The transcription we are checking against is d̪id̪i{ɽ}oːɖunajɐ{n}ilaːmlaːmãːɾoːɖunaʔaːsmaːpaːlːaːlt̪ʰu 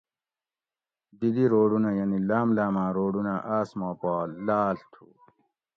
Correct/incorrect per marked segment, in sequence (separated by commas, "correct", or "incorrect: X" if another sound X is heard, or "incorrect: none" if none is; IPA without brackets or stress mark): incorrect: ɾ, correct